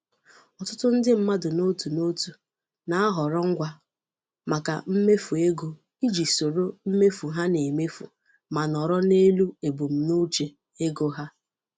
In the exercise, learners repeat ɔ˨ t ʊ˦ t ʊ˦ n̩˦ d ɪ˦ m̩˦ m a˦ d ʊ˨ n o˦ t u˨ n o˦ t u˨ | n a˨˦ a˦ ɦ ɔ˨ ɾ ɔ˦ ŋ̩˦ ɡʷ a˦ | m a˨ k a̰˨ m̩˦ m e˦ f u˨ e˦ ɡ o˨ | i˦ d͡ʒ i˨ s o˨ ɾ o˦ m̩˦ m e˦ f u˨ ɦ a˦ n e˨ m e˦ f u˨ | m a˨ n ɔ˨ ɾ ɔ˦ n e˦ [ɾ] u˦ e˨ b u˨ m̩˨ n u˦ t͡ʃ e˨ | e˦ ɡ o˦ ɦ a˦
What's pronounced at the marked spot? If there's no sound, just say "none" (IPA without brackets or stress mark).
l